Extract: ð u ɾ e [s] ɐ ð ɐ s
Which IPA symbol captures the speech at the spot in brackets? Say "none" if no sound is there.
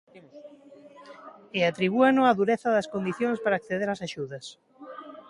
θ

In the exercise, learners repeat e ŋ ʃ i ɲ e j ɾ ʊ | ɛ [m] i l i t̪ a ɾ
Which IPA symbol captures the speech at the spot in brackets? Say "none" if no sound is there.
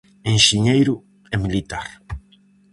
m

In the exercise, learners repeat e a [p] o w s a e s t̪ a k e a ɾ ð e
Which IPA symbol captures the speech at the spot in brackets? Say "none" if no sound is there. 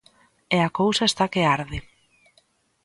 k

